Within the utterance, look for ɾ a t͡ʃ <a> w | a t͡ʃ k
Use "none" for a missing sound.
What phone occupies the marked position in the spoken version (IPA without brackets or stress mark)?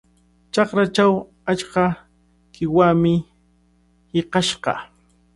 a